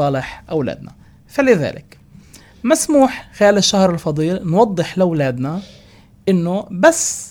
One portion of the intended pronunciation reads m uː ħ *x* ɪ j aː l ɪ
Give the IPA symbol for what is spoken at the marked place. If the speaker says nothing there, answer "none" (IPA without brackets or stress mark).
x